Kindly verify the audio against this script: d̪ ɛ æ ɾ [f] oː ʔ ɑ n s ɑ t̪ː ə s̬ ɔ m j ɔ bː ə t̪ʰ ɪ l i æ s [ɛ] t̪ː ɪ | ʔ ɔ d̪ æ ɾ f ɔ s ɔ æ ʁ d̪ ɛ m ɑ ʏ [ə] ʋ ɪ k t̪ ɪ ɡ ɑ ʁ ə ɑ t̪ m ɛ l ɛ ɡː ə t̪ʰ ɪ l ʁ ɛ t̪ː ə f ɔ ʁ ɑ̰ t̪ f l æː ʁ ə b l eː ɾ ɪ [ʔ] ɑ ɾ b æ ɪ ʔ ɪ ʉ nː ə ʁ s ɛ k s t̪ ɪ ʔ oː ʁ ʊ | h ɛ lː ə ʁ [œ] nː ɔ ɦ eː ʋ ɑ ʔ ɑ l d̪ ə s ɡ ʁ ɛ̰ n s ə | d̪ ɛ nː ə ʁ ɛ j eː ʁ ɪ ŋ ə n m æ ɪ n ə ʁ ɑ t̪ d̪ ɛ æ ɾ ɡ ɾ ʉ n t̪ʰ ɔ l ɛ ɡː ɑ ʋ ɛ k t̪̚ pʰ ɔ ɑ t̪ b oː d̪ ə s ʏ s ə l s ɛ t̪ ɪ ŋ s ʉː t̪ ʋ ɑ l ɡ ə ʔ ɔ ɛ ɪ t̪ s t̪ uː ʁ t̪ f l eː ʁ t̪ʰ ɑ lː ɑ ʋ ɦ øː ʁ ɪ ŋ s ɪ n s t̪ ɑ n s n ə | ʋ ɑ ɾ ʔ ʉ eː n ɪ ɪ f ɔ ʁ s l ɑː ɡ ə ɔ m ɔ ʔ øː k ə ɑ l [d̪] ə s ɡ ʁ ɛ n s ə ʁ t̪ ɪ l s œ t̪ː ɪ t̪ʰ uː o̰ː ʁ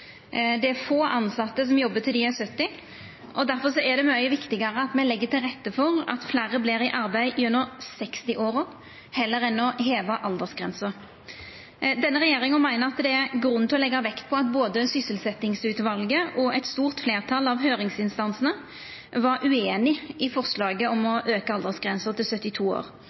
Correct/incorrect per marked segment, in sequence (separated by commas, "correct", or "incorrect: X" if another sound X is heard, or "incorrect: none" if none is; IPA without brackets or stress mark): correct, incorrect: œ, correct, correct, incorrect: ɛ, correct